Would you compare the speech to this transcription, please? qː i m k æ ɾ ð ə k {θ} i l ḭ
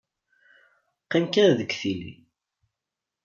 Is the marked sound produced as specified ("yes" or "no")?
yes